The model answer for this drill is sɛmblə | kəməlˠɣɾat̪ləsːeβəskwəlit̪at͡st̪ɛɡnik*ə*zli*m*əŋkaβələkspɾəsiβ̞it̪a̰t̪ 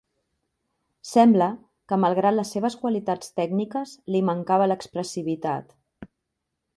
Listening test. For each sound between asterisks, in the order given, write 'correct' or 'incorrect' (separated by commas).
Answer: correct, correct